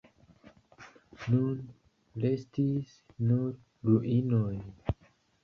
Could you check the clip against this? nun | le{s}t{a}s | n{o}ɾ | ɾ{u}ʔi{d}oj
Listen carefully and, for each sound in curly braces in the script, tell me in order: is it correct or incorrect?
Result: correct, incorrect: i, incorrect: u, correct, incorrect: n

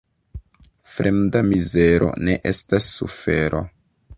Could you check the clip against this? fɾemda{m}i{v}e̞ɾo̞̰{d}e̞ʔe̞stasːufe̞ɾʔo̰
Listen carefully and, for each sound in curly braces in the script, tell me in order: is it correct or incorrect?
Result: correct, incorrect: z, incorrect: n

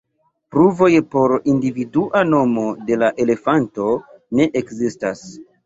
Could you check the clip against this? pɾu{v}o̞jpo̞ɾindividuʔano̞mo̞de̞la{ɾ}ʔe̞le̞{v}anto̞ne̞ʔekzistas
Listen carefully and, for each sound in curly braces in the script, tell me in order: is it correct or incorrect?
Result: correct, incorrect: none, incorrect: f

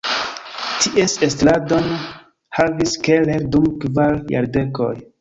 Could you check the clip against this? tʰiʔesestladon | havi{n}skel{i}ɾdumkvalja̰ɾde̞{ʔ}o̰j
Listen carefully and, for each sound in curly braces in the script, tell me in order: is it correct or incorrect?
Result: incorrect: none, incorrect: e, incorrect: k

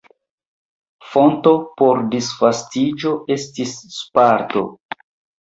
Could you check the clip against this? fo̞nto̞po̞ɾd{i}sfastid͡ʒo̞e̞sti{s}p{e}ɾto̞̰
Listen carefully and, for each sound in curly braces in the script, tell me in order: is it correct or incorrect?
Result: correct, incorrect: sː, incorrect: a

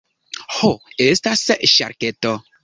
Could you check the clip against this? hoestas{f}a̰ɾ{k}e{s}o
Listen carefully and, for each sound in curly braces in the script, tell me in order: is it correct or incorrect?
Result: incorrect: ʃ, correct, incorrect: t

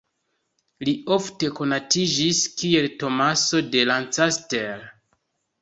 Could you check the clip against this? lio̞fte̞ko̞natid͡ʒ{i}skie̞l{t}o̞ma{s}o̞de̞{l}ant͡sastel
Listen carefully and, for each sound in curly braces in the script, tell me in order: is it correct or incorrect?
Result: correct, correct, correct, correct

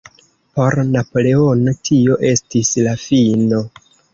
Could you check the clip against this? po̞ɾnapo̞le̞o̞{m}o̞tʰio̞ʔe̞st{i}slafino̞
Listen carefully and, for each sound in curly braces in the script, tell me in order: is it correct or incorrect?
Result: incorrect: n, correct

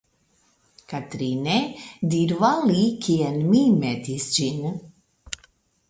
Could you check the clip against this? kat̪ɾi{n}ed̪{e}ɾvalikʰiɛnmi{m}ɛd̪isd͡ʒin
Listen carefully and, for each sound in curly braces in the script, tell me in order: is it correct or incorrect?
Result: correct, incorrect: i, correct

